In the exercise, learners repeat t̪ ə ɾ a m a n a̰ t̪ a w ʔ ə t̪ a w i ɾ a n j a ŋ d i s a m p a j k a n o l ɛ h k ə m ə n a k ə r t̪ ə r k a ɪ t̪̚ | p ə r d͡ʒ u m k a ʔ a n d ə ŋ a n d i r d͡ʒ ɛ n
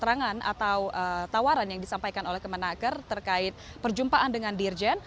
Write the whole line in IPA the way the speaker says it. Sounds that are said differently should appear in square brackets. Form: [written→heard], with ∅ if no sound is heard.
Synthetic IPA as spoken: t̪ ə ɾ a [m→ŋ] a n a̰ t̪ a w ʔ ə t̪ a w [i→a] ɾ a n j a ŋ d i s a m p a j k a n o l ɛ h k ə m ə n a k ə r t̪ ə r k a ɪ t̪̚ | p ə r d͡ʒ u m [k→p] a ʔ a n d ə ŋ a n d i r d͡ʒ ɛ n